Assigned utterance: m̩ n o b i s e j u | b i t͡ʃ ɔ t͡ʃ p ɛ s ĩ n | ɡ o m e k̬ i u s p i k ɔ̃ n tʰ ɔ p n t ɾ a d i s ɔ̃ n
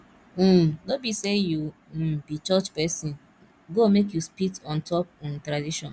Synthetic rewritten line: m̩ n o b i s e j u | b i t͡ʃ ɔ t͡ʃ p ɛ s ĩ n | ɡ o m e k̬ j u s p i t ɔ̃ n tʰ ɔ p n t ɾ a d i ʃ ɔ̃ n